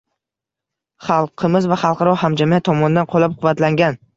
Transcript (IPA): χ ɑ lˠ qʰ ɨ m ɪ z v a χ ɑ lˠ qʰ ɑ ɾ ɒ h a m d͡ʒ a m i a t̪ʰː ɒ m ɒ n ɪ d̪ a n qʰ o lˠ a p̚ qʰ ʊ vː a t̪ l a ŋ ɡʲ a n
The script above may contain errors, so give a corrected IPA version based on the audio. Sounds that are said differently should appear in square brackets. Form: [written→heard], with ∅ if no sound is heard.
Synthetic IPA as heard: χ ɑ lˠ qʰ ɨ m ɪ z v a χ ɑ lˠ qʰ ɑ ɾ ɒ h a m d͡ʒ a m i a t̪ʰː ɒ m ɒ n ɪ d̪ a n qʰ o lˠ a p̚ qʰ ʊ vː a t̪ l a ŋ ɡʲ a n